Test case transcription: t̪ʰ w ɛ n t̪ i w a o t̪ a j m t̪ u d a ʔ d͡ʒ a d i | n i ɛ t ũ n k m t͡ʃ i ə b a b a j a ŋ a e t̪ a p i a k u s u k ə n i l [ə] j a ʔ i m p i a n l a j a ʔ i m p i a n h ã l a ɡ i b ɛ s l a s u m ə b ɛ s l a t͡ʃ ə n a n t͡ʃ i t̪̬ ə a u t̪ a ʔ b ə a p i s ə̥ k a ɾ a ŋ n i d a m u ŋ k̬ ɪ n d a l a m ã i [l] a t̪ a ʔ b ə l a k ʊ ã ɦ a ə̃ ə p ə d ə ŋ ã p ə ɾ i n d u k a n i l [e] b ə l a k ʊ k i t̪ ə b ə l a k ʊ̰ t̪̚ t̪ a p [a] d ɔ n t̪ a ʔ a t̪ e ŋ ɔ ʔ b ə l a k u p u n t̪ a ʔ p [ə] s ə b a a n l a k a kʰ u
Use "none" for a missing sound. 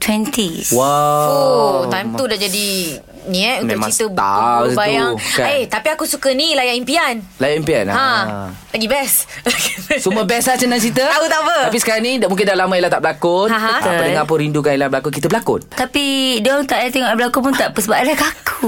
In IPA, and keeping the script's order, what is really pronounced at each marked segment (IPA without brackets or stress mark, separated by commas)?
a, l, a, i, ə